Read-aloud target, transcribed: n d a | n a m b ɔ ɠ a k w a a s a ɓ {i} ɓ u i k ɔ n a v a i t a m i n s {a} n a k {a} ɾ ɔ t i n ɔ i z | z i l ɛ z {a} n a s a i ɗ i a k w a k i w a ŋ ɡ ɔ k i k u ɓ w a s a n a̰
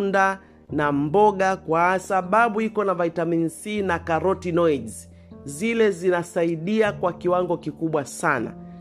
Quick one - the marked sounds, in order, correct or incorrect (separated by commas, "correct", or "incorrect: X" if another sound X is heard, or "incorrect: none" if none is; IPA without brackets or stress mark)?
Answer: incorrect: a, incorrect: i, correct, incorrect: i